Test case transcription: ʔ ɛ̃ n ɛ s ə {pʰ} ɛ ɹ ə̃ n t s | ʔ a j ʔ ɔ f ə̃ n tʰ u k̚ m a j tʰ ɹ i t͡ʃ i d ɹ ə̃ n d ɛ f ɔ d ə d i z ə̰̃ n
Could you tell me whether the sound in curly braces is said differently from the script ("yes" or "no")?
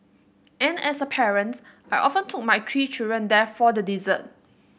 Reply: no